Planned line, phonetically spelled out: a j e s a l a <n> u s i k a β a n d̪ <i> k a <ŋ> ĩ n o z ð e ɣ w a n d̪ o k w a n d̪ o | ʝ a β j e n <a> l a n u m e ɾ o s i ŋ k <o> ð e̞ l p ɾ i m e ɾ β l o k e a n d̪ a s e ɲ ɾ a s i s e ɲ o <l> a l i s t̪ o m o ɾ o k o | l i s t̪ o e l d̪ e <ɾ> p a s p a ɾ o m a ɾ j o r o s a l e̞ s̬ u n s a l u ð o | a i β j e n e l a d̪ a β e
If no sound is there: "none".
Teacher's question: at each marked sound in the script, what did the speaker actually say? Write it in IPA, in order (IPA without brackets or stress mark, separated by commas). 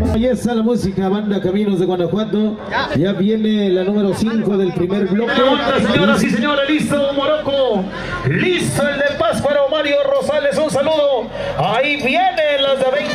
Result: m, a, m, e, o, ɾ, l